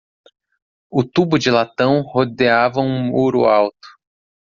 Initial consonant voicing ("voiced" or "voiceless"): voiceless